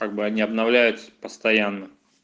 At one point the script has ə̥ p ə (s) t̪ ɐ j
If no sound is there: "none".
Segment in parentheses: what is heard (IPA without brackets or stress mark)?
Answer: s